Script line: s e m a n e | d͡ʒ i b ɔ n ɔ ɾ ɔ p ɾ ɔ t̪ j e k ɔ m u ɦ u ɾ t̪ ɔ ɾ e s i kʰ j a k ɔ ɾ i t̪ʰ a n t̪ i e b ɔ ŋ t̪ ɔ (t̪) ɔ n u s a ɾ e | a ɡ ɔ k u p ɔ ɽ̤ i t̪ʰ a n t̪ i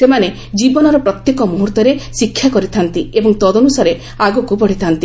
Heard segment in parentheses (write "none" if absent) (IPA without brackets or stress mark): d̪